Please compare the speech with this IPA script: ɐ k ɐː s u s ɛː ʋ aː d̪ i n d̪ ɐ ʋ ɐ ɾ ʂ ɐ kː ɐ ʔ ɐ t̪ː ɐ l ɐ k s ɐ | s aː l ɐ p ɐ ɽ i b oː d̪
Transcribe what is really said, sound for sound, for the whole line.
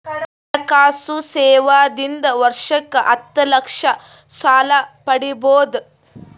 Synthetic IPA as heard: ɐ k aː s u s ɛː ʋ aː d̪ i n d̪ ɐ ʋ ɐ ɾ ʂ ɐ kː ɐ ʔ ɐ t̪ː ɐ l ɐ k ʂ ɐ | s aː l ɐ p ɐ ɽ i b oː d̪